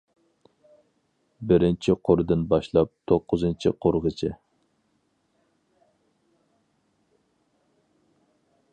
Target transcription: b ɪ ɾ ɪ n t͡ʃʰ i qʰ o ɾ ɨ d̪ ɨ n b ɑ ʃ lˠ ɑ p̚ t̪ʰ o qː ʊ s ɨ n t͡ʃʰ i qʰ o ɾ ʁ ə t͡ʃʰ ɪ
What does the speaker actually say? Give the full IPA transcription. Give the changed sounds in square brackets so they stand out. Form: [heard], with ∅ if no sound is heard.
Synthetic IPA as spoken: b ɪ ɾ ɪ n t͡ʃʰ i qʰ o ɾ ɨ d̪ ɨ n b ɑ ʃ lˠ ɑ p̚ t̪ʰ o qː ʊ [z] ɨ n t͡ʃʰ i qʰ o ɾ ʁ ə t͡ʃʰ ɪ